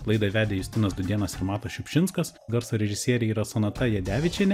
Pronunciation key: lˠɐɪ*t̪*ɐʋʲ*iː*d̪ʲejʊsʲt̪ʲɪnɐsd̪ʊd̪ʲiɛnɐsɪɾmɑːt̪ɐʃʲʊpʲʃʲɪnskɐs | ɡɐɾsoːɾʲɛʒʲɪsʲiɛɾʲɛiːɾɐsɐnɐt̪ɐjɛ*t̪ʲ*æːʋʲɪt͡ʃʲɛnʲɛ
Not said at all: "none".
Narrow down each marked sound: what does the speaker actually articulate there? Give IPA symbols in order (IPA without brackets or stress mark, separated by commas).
d̪, æː, d̪ʲ